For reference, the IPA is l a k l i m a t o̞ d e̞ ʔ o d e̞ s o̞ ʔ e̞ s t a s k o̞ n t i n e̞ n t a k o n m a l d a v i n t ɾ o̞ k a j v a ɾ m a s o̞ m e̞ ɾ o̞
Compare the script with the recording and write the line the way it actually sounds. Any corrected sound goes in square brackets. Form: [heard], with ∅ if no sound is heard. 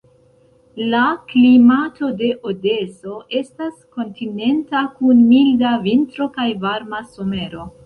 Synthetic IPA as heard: l a k l i m a t o̞ d e̞ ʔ o d e̞ s o̞ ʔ e̞ s t a s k o̞ n t i n e̞ n t a k [u] n m [i] l d a v i n t ɾ o̞ k a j v a ɾ m a s o̞ m e̞ ɾ o̞